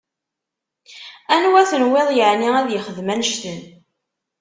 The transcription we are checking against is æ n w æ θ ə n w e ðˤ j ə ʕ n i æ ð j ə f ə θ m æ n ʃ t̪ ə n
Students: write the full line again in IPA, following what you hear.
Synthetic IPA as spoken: æ n w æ θ ə n w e ðˤ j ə ʕ n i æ ð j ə χ ə ð m æ n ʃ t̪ ə n